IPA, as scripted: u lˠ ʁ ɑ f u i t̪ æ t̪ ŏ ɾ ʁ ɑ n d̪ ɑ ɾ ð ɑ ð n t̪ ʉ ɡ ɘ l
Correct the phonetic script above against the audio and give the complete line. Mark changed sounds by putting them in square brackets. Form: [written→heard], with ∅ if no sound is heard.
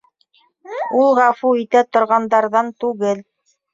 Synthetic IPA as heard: u lˠ ʁ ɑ f u i t̪ æ t̪ ŏ ɾ ʁ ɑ n d̪ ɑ ɾ ð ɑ [ð→∅] n t̪ ʉ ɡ ɘ l

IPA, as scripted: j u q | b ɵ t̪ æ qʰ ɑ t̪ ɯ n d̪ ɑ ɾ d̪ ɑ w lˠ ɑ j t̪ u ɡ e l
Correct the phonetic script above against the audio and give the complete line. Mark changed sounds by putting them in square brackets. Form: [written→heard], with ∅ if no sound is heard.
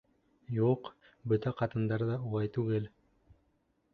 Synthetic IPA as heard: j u q | b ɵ t̪ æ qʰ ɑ t̪ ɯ n d̪ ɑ ɾ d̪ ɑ [w→u] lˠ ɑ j t̪ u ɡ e l

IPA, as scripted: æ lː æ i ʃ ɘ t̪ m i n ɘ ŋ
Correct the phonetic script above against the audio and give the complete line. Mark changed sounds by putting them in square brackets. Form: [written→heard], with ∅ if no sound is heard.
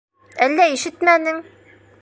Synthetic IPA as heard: æ lː æ i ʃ ɘ t̪ m [i→æ] n ɘ ŋ

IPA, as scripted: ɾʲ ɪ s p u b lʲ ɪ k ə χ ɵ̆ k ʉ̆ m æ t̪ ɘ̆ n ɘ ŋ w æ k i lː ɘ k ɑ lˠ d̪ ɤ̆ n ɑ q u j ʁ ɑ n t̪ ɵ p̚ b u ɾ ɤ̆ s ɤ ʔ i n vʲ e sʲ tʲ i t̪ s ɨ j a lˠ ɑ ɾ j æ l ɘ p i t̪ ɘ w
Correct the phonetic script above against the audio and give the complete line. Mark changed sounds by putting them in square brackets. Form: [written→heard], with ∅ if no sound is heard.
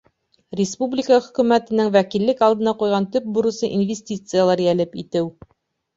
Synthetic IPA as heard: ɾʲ ɪ s p u b lʲ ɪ k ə χ ɵ̆ k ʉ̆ m æ t̪ ɘ̆ n ɘ ŋ w æ k i lː ɘ k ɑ lˠ d̪ ɤ̆ n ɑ q u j ʁ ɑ n t̪ ɵ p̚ b u ɾ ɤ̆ s ɤ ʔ i n vʲ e sʲ tʲ i t̪ s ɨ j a lˠ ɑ ɾ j æ l ɘ p i t̪ ɘ w

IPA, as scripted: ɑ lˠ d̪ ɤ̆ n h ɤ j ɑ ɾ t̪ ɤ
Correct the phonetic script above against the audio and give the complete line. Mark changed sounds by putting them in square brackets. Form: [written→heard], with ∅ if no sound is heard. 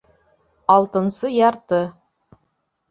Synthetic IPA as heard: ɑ lˠ [d̪→t̪] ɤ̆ n [h→s] ɤ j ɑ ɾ t̪ ɤ

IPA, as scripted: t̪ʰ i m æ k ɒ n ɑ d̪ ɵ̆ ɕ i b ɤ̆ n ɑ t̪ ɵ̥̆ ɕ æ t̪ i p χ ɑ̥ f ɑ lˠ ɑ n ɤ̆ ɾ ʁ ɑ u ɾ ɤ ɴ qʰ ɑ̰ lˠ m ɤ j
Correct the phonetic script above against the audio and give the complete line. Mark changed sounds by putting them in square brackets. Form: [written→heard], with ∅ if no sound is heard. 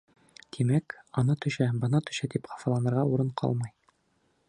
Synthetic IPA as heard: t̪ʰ i m æ k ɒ n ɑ [d̪→t̪] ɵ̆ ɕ [i→æ] b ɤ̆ n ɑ t̪ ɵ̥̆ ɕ æ t̪ i p χ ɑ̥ f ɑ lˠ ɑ n ɤ̆ ɾ ʁ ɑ u ɾ ɤ ɴ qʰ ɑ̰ lˠ m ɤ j

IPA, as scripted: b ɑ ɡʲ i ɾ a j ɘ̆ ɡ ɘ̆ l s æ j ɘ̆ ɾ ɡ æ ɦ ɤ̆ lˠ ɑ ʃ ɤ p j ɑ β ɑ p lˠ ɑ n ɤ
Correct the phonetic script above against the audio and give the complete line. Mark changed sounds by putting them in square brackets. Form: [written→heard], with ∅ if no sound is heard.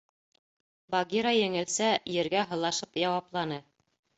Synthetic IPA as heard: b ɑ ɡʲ i ɾ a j ɘ̆ [ɡ→ŋ] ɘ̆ l s æ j ɘ̆ ɾ ɡ æ ɦ ɤ̆ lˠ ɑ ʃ ɤ p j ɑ [β→w] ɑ p lˠ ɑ n ɤ

